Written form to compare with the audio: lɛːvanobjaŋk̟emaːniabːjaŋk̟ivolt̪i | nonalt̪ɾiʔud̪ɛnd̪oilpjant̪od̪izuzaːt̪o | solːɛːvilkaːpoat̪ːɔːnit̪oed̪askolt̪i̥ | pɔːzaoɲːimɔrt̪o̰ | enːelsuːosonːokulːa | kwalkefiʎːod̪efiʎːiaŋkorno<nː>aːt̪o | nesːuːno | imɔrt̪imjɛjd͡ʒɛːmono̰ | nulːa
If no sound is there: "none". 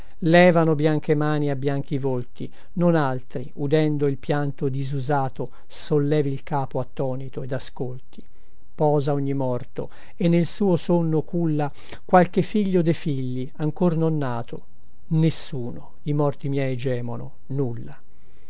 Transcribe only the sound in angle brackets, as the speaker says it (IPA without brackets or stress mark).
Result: nː